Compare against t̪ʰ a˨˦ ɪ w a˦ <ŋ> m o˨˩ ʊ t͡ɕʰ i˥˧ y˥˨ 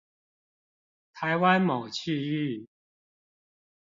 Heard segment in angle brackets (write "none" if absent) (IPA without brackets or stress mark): n